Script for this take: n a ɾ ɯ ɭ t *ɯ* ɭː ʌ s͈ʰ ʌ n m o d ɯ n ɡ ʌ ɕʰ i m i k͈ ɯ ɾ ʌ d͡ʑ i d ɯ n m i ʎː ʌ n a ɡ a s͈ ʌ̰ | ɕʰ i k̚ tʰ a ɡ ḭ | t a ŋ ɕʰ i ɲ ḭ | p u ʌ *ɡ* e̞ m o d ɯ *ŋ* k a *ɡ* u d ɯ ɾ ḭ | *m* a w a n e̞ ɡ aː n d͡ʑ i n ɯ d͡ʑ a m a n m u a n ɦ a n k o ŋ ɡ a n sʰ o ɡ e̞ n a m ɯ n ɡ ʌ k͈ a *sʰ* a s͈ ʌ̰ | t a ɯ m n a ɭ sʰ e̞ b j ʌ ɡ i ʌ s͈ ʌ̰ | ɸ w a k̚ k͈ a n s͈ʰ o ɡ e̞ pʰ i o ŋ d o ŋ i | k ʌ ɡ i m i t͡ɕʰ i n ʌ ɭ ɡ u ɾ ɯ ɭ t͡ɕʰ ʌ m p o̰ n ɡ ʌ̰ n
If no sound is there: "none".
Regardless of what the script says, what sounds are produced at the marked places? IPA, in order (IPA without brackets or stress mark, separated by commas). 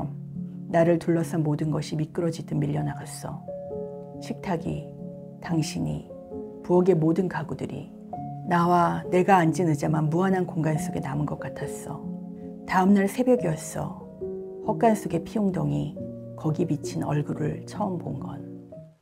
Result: u, ɡ, n, ɡ, n, tʰ